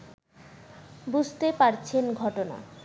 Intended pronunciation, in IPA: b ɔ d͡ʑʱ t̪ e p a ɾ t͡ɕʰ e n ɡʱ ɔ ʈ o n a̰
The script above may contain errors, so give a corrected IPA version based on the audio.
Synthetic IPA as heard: b u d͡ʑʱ t̪ e p a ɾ t͡ɕʰ e n ɡʱ ɔ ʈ o n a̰